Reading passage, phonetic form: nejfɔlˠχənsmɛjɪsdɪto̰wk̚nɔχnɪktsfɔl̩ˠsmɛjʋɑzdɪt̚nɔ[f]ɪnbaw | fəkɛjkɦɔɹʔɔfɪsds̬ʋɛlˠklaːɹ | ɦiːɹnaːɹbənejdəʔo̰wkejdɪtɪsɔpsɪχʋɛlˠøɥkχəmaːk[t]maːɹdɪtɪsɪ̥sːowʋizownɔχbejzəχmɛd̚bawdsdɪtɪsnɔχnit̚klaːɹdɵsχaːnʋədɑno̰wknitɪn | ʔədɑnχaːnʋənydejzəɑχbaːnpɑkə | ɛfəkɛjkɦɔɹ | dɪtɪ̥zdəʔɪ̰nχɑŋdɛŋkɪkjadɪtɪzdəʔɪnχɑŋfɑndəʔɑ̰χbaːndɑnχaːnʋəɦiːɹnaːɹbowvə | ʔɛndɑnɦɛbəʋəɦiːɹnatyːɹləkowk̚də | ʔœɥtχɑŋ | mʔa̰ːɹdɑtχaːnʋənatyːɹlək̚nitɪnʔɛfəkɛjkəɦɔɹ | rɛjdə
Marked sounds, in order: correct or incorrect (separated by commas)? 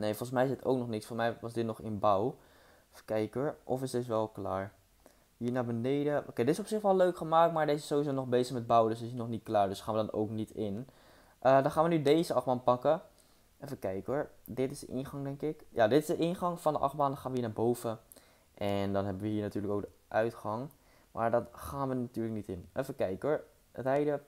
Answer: incorrect, correct